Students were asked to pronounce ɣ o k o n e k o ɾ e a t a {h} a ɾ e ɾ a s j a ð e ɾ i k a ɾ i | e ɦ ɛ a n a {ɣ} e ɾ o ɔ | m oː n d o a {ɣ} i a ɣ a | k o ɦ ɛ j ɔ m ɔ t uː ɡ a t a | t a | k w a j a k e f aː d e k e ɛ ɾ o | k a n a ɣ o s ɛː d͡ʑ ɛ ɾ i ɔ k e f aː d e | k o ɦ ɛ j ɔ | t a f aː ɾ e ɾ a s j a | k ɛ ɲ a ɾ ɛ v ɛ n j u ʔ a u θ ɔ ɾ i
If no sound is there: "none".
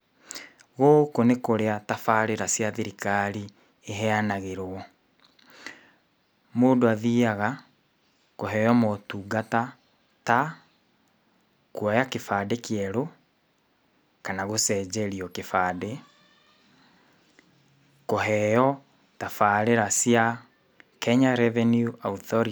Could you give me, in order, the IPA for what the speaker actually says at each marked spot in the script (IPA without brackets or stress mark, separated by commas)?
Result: f, ɣ, ð